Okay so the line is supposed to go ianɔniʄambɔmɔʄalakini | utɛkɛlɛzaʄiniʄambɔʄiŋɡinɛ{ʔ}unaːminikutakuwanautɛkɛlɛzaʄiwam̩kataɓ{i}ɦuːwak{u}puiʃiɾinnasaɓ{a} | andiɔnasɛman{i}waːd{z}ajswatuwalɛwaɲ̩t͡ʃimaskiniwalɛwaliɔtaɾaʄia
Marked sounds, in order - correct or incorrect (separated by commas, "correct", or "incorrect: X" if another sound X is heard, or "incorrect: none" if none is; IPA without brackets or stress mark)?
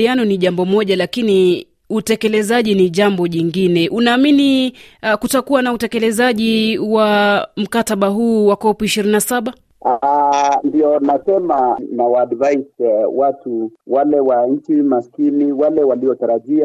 correct, incorrect: a, incorrect: ɔ, correct, incorrect: a, incorrect: v